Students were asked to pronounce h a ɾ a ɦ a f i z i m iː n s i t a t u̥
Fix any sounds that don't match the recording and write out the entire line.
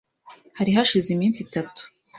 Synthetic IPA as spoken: h a ɾ i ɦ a ʃ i z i m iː n s i t a t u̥